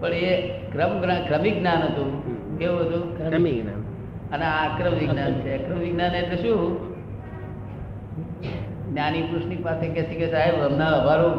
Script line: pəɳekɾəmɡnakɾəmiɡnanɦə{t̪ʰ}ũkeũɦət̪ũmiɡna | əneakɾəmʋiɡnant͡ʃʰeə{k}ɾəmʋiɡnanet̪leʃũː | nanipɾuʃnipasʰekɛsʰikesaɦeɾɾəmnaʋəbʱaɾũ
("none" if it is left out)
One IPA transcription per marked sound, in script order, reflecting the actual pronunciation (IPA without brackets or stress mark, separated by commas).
t̪, k